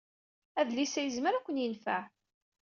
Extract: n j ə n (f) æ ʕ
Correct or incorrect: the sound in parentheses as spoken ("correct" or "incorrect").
correct